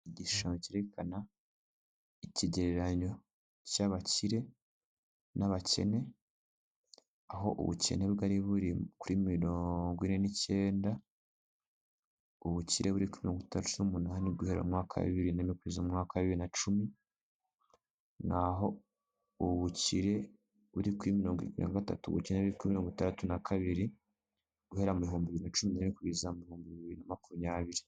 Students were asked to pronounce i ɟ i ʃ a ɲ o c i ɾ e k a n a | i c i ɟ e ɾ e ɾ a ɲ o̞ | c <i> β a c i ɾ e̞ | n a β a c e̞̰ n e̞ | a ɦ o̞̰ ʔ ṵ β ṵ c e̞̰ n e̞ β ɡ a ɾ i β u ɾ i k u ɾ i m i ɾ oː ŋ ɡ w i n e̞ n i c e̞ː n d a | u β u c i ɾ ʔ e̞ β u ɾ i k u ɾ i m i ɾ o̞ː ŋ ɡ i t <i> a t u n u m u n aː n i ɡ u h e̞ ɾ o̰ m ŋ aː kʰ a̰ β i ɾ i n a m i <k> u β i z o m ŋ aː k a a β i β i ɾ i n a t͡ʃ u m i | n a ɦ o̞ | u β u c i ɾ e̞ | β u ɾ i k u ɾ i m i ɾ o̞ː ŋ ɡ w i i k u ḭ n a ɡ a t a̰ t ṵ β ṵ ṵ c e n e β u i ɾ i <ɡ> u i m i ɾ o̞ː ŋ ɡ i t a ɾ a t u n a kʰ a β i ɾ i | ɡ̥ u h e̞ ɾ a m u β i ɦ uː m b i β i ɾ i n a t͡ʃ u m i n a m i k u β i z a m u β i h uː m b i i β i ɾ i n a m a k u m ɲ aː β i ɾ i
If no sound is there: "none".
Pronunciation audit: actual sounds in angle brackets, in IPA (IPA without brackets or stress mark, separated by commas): a, a, k, k